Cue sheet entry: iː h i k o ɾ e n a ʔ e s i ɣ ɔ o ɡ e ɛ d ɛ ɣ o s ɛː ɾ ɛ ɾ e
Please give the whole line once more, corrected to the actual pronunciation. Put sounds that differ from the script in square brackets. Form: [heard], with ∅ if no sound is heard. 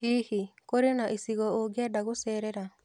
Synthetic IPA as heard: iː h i k o ɾ e n a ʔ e s i ɣ ɔ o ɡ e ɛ d [a] ɣ o s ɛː ɾ ɛ ɾ [a]